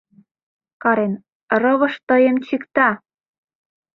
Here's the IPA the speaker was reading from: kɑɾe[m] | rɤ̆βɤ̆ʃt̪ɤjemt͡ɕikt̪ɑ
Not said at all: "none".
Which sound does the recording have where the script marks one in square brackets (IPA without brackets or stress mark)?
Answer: n